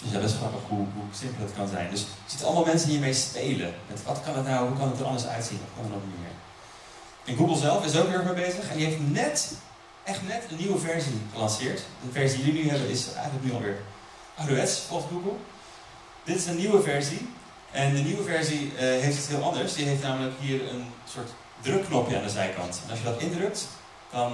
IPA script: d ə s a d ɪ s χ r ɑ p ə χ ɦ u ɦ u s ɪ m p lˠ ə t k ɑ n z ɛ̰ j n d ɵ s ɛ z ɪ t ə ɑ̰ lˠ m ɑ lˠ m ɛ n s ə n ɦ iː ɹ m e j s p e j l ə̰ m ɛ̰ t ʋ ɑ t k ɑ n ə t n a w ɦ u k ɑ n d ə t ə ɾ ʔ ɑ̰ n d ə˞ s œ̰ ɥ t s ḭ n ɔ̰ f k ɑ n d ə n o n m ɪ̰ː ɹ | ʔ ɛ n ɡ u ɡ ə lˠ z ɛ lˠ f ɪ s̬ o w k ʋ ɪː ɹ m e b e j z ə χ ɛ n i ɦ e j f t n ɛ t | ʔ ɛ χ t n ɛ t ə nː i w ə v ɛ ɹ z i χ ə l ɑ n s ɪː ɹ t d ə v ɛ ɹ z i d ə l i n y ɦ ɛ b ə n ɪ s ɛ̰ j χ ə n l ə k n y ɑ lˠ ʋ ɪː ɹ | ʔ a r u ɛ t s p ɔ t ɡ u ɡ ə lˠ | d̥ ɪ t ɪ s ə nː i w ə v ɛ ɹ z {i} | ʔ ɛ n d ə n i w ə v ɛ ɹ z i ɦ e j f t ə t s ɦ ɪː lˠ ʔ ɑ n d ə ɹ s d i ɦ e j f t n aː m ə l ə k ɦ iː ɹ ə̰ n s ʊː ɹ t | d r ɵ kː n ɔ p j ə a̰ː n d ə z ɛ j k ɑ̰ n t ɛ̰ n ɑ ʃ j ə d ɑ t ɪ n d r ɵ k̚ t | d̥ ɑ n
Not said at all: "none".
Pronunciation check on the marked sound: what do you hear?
i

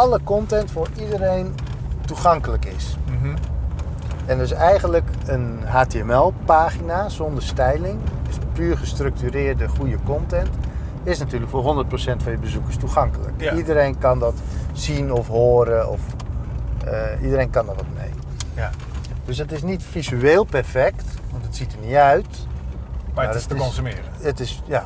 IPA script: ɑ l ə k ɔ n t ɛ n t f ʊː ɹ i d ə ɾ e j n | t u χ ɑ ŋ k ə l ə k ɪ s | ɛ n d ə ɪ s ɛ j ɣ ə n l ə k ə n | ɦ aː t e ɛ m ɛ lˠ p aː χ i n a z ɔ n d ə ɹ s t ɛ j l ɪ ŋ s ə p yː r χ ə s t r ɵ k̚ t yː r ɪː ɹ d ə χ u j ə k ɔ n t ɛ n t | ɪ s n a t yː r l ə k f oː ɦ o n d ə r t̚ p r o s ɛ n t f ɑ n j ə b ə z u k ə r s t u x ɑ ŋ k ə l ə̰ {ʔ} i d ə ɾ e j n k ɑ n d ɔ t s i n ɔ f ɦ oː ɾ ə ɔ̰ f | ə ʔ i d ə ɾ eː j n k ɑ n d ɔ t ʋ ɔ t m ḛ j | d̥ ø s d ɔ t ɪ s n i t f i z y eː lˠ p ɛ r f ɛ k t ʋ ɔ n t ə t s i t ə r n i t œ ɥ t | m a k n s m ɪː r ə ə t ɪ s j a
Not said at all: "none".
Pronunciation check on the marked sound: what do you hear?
k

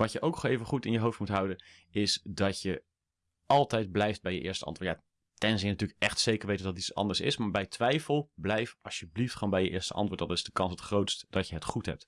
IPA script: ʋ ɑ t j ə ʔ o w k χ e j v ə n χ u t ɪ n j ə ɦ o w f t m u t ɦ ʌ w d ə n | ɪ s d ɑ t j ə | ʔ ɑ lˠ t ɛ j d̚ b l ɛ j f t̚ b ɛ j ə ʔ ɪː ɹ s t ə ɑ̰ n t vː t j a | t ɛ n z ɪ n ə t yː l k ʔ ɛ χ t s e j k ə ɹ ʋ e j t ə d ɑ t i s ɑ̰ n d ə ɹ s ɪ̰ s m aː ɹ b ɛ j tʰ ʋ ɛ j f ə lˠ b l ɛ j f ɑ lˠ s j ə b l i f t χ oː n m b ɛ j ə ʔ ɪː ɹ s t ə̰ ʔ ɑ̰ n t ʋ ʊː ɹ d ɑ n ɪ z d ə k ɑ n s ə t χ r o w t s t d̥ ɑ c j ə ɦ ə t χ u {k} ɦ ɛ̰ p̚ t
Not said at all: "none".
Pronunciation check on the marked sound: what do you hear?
t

